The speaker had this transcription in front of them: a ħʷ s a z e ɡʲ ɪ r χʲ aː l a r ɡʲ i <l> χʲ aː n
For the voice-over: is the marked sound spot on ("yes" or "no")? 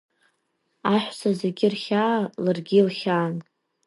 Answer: yes